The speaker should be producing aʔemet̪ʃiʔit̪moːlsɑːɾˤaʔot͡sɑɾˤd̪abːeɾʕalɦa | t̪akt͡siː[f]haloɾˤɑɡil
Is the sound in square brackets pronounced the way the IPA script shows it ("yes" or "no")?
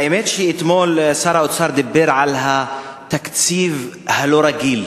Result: no